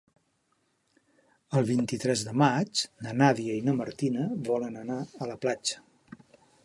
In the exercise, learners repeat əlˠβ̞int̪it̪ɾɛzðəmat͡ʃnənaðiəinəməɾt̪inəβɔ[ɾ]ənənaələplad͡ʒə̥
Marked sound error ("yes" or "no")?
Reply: yes